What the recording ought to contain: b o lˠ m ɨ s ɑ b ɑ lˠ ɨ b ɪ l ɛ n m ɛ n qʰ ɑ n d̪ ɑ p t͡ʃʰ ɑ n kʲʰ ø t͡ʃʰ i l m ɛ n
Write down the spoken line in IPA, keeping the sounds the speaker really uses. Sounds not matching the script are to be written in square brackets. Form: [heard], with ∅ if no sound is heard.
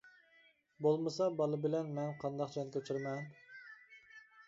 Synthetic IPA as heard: b o lˠ m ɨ s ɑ b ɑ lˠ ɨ b ɪ l ɛ n m ɛ n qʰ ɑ n d̪ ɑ [q] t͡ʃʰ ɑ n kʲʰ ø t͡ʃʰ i [ɾ] m ɛ n